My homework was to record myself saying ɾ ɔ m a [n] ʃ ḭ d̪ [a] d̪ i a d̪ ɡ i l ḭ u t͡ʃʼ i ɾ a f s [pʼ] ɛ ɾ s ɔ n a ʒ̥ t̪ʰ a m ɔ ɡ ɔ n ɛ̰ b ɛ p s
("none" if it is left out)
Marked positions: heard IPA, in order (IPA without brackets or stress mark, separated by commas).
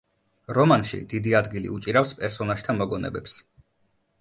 n, i, pʼ